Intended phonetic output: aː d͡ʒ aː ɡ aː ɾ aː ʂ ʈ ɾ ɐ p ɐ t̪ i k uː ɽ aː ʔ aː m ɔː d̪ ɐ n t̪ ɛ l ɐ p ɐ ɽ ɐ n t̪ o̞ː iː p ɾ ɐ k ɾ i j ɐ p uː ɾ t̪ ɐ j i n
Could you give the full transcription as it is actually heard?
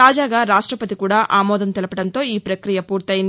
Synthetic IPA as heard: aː d͡ʒ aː ɡ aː ɾ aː ʂ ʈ ɾ ɐ p ɐ t̪ i k uː ɽ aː ʔ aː m ɔː d̪ ɐ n t̪ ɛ l ɐ p ɐ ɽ ɐ n t̪ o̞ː iː p ɾ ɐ k ɾ i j ɐ p uː ɾ t̪ ɐ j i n